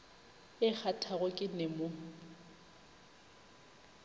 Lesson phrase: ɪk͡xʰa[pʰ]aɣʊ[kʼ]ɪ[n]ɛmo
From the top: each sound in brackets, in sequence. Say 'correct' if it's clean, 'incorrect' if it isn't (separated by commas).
incorrect, correct, correct